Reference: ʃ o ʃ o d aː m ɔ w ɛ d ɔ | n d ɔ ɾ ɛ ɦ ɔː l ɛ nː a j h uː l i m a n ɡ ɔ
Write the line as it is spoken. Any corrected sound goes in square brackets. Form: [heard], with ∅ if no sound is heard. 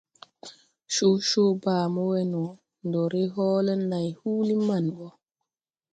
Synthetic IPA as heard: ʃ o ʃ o [b] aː m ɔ w ɛ [n] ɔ | n d ɔ ɾ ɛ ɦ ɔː l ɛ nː a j h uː l i m a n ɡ ɔ